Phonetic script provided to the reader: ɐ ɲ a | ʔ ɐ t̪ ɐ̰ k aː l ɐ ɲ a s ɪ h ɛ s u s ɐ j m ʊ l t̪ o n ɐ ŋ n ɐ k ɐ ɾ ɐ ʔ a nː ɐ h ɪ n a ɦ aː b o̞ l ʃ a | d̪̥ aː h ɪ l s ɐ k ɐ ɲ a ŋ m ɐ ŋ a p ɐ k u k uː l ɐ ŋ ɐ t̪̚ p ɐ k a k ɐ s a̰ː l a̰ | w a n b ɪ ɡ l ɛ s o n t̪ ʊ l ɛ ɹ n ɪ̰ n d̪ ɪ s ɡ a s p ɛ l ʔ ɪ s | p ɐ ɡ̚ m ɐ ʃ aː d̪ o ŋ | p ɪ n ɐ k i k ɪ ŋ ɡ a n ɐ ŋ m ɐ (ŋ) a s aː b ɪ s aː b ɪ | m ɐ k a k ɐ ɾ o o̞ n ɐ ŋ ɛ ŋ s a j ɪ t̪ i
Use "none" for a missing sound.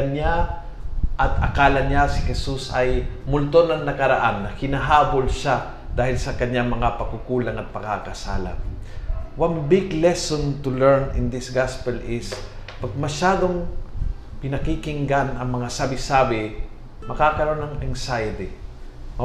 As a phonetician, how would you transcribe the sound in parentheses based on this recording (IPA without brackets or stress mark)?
ŋ